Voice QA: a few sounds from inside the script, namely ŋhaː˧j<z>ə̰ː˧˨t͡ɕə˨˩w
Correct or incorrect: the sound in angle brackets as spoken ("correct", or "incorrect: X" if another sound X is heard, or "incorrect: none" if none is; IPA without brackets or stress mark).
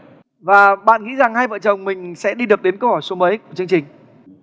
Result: incorrect: v